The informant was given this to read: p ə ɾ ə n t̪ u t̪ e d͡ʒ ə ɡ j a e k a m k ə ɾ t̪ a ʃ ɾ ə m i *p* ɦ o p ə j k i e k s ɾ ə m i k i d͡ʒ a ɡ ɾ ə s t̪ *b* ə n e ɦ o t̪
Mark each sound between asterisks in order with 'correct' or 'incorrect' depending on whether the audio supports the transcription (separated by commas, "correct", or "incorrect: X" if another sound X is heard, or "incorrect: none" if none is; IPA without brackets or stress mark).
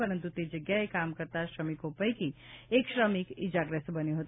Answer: incorrect: k, correct